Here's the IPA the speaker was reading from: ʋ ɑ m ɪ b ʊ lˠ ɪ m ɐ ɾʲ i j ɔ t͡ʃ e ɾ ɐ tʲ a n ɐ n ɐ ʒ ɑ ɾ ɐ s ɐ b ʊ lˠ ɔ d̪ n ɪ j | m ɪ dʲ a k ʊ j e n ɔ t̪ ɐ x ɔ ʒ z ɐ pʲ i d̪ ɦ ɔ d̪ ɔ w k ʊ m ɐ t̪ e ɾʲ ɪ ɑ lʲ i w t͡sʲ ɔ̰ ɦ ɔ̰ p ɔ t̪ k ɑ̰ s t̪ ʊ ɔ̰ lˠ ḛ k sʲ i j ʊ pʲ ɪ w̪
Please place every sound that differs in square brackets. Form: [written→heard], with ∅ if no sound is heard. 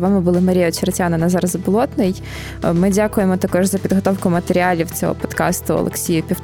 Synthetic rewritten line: ʋ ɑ m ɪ b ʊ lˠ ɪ m ɐ ɾʲ i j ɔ t͡ʃ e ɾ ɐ tʲ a n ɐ n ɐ [ʒ→z] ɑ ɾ ɐ [s→z] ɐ b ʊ lˠ ɔ [d̪→t̪] n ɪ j | m ɪ dʲ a k ʊ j e [n→m] ɔ t̪ ɐ [x→k] ɔ ʒ z ɐ pʲ i d̪ ɦ ɔ [d̪→t̪] ɔ w k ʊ m ɐ t̪ e ɾʲ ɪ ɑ lʲ i w t͡sʲ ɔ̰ ɦ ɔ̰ p ɔ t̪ k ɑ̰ s t̪ ʊ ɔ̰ lˠ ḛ k sʲ i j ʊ pʲ [ɪ→i] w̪